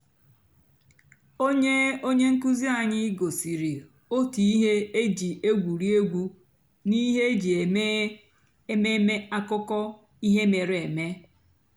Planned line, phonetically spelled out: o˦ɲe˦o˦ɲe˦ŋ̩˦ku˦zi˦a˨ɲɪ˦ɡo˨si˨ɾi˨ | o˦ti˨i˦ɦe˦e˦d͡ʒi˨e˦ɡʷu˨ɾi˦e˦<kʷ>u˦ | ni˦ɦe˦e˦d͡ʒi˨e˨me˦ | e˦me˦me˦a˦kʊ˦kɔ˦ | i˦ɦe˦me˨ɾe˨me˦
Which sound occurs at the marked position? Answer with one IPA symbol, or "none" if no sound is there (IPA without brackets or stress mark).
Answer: ɡʷ